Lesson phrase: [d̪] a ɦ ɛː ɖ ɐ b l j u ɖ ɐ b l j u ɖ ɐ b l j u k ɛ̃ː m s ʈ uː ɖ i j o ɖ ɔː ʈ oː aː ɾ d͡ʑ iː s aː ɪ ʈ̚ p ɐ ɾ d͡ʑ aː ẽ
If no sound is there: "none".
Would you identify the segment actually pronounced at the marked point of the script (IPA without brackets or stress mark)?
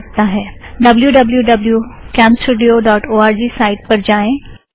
t̪